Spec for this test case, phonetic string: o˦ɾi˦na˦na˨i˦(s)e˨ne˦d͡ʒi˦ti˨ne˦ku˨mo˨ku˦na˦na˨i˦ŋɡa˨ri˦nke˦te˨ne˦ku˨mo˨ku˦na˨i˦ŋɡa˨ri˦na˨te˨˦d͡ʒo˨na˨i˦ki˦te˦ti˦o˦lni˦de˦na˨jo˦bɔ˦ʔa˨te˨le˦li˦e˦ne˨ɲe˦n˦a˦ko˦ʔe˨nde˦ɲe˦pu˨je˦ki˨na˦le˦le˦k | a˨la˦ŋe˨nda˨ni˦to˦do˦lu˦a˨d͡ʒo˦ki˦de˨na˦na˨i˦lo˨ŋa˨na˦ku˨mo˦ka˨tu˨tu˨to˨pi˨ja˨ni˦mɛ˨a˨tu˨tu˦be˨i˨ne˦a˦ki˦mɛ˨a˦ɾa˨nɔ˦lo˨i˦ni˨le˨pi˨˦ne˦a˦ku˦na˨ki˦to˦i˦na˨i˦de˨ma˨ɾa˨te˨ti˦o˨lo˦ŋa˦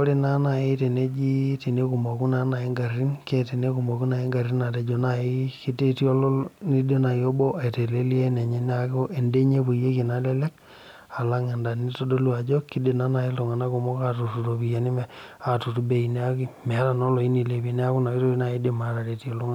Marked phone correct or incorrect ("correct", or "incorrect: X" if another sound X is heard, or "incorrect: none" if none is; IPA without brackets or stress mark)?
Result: incorrect: t